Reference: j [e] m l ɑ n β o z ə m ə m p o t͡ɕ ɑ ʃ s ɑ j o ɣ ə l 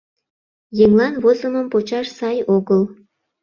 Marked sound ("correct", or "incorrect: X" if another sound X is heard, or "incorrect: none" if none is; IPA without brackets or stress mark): correct